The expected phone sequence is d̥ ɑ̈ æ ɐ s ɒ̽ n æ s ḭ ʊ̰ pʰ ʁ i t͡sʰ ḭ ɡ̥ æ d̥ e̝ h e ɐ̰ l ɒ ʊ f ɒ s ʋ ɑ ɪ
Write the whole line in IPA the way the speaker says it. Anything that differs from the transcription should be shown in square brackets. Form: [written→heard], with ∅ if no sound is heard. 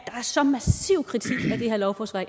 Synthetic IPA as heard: d̥ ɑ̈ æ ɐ s ɒ̽ [n→m] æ s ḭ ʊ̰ [pʰ→kʰ] ʁ i t͡sʰ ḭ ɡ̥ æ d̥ e̝ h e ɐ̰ l ɒ ʊ f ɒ s ʋ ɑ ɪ